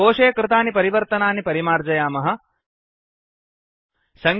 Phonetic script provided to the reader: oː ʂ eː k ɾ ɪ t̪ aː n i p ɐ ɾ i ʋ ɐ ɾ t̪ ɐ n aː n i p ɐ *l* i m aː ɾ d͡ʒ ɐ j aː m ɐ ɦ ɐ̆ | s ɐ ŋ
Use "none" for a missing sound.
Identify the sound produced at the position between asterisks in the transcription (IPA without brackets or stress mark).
ɾ